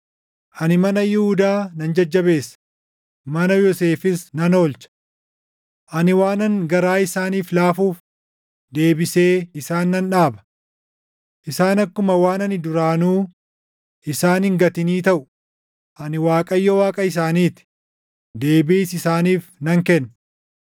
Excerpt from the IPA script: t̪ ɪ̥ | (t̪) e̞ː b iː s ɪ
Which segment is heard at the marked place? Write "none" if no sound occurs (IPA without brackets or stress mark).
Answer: d̪